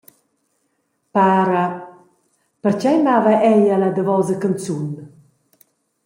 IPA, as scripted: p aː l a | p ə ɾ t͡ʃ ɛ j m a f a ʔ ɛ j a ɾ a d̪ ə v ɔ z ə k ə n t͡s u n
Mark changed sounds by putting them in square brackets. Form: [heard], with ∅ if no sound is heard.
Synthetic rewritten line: p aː [ɾ] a | p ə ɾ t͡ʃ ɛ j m a [v] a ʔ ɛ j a [l] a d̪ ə v ɔ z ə k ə n t͡s u n